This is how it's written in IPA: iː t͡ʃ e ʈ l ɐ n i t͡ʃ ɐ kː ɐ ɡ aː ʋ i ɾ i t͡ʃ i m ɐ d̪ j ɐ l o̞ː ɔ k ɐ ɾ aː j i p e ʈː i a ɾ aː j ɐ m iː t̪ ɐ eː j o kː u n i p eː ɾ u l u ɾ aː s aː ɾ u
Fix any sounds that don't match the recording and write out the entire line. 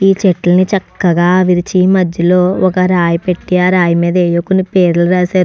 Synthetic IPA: iː t͡ʃ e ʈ l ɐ n i t͡ʃ ɐ kː ɐ ɡ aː ʋ i ɾ i t͡ʃ i m ɐ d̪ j ɐ l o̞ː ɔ k ɐ ɾ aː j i p e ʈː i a ɾ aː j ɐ m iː d̪ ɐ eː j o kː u n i p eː ɾ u l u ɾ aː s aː ɾ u